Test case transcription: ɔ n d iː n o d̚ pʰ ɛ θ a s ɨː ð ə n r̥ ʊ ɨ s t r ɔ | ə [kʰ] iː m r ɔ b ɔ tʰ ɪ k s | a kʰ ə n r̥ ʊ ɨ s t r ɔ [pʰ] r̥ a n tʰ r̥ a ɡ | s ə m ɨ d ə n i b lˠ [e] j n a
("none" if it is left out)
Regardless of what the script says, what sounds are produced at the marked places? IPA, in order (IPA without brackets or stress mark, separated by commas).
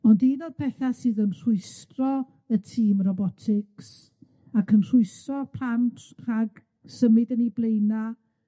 tʰ, pʰ, e